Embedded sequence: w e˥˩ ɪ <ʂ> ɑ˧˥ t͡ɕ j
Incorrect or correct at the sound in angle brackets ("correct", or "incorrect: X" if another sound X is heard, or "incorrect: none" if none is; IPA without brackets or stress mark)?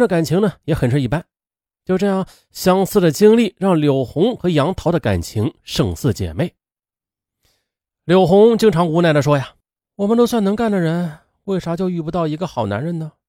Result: correct